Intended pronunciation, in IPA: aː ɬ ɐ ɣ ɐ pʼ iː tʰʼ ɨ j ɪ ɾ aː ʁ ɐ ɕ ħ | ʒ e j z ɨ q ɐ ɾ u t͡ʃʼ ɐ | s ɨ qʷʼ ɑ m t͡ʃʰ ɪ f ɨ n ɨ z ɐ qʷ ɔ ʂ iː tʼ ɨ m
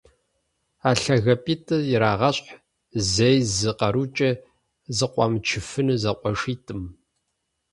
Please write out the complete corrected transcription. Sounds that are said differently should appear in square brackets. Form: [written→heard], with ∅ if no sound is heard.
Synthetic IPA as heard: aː ɬ ɐ ɣ ɐ pʼ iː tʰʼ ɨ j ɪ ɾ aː ʁ ɐ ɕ ħ | [ʒ→z] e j z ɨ q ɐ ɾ u t͡ʃʼ ɐ | [s→z] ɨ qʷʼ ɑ m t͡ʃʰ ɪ f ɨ n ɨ z ɐ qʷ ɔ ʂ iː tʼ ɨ m

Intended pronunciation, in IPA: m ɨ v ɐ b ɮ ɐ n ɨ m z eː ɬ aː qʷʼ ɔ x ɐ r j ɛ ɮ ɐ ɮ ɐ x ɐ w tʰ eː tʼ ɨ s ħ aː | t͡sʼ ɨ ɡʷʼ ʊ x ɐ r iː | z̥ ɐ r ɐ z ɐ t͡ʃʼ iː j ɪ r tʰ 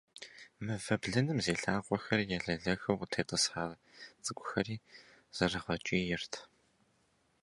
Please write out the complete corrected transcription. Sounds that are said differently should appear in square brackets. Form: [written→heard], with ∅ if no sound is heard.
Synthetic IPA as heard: m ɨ v ɐ b ɮ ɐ n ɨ m z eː ɬ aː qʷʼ ɔ x ɐ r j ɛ ɮ ɐ ɮ ɐ x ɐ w tʰ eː tʼ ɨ s ħ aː | t͡sʼ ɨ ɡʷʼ ʊ x ɐ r iː | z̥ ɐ r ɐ [z→ʁ] ɐ t͡ʃʼ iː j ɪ r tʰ

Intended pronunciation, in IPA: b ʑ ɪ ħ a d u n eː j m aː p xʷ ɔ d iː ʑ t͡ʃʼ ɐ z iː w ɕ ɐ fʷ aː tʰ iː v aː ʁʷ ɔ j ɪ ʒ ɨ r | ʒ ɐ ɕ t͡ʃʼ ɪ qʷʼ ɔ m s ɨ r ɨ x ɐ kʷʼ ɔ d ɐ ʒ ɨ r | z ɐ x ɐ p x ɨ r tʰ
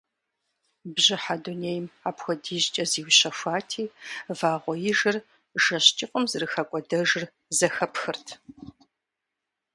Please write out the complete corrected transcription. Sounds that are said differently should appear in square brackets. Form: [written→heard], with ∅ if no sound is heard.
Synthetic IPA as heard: b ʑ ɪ ħ a d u n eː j m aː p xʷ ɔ d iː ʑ t͡ʃʼ ɐ z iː w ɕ ɐ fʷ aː tʰ iː v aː ʁʷ ɔ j ɪ ʒ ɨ r | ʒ ɐ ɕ t͡ʃʼ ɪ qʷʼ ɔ m [s→z] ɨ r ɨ x ɐ kʷʼ ɔ d ɐ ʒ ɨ r | z ɐ x ɐ p x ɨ r tʰ

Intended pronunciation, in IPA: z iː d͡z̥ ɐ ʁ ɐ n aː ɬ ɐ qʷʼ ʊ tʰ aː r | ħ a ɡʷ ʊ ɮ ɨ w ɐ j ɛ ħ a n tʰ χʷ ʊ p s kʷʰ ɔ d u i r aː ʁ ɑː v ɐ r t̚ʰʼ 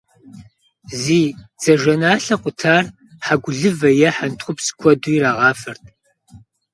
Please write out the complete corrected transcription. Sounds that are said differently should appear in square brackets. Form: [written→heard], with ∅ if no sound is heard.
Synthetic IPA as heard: z iː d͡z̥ ɐ [ʁ→ʒ] ɐ n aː ɬ ɐ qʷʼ ʊ tʰ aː r | ħ a ɡʷ ʊ ɮ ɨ [w→v] ɐ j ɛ ħ a n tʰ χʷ ʊ p s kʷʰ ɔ d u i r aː ʁ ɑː [v→f] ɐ r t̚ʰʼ

